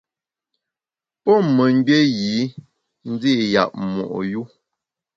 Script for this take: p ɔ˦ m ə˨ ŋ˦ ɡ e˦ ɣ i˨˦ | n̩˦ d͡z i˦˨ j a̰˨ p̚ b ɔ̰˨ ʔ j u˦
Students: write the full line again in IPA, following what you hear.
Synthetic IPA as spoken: p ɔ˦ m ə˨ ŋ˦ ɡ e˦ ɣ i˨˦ | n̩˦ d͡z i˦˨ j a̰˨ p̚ m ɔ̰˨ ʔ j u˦